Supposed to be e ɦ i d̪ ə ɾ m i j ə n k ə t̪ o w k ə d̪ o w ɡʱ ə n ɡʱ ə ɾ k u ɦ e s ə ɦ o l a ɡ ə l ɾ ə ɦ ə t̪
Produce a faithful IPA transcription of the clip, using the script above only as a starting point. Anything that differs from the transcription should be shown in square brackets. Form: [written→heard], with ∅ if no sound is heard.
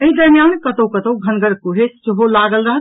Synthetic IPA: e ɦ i d̪ ə ɾ m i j [ə→a] n k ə t̪ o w k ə [d̪→t̪] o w ɡʱ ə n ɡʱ ə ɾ k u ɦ e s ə ɦ o l a ɡ ə l ɾ ə ɦ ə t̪